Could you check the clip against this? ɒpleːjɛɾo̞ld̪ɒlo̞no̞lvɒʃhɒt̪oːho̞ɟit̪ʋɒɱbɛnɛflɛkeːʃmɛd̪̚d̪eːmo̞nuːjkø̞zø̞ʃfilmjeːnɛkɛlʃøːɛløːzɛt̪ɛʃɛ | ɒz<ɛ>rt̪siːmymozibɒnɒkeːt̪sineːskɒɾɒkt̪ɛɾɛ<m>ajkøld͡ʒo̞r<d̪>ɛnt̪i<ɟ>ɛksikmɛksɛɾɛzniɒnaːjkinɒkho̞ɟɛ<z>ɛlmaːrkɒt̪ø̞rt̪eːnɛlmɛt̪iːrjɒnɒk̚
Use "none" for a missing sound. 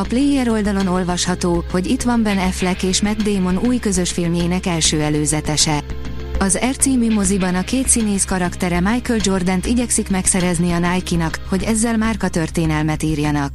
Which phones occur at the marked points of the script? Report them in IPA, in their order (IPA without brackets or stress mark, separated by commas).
ɛ, m, d̪, ɟ, zː